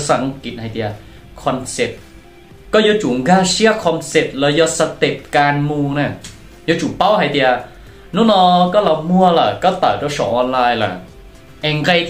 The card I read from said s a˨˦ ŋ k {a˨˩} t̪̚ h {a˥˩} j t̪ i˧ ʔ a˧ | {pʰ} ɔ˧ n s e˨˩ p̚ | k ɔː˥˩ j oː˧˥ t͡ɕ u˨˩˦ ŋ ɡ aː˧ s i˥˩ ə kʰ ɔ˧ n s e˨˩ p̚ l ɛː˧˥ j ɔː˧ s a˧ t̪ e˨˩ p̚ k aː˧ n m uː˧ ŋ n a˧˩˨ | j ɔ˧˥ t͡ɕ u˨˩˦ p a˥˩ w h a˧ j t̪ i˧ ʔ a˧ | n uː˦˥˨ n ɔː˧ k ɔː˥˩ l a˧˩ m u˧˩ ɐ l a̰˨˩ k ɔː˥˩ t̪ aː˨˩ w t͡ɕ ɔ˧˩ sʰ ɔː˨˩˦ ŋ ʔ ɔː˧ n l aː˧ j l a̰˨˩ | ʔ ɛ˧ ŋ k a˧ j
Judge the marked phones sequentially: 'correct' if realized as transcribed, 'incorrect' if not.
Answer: incorrect: i˨˩, incorrect: a˧, incorrect: kʰ

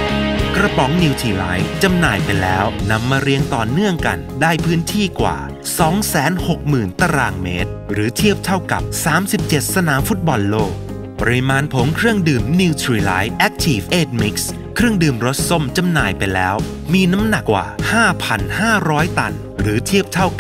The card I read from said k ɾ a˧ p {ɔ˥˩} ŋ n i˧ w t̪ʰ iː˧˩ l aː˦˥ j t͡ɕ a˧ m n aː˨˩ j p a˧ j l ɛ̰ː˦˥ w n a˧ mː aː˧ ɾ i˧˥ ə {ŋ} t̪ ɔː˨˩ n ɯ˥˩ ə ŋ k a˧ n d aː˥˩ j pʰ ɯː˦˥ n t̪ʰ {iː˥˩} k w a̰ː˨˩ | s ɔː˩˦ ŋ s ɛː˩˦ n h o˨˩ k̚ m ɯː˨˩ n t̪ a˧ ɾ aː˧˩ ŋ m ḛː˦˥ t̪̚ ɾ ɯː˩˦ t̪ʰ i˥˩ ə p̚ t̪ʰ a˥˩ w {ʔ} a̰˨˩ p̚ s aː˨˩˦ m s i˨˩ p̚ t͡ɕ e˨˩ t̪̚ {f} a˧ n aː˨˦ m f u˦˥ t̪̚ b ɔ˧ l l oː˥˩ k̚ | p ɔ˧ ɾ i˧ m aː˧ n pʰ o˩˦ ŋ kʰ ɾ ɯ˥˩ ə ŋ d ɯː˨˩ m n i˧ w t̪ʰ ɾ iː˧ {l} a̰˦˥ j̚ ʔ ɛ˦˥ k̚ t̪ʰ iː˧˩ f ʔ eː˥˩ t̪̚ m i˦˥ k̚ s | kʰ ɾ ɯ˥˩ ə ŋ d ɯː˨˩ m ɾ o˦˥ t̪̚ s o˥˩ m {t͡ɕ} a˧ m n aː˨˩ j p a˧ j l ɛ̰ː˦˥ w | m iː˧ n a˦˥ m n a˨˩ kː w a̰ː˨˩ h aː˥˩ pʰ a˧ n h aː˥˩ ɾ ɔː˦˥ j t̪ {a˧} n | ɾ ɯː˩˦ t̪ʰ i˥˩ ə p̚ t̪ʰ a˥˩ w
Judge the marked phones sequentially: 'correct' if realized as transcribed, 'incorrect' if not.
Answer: incorrect: ɔ˩˦, correct, correct, incorrect: k, incorrect: s, correct, correct, correct

